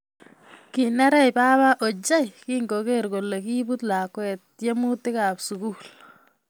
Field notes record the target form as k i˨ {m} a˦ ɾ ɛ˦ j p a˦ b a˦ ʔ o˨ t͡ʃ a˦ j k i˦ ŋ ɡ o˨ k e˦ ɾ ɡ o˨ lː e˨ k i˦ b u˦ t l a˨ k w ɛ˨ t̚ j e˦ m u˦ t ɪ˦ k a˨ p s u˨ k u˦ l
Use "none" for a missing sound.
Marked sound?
n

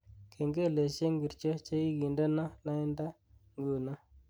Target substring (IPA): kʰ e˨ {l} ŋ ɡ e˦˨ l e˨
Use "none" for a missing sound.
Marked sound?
none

